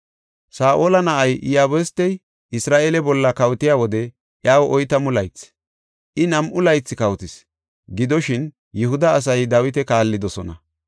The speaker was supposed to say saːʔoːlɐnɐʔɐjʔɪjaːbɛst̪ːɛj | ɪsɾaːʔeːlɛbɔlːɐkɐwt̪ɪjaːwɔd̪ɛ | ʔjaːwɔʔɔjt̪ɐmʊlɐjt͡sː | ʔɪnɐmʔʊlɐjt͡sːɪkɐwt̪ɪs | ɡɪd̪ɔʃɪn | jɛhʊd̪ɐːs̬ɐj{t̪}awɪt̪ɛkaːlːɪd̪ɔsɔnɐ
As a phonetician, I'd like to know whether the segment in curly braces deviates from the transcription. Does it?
yes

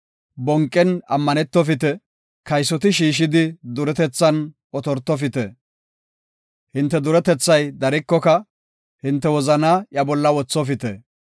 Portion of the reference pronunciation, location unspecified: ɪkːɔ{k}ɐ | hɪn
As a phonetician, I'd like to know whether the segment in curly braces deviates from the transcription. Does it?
no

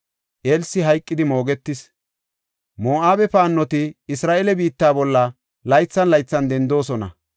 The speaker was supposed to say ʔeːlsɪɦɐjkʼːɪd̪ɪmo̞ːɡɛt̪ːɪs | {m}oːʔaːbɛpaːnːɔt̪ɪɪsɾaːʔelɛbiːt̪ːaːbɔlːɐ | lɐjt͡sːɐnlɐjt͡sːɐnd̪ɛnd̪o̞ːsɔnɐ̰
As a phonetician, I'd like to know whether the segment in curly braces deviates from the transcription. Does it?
no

